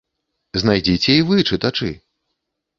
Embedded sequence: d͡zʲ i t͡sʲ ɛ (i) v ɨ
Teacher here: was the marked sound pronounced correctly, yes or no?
yes